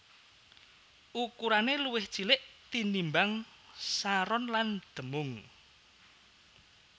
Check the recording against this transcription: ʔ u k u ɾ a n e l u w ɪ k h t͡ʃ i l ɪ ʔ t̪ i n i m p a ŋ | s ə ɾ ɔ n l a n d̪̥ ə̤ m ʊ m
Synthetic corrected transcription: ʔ u k u ɾ a n e l u w ɪ h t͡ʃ i l ɪ ʔ t̪ i n i m b a ŋ | s a ɾ ɔ n l a n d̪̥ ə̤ m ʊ ŋ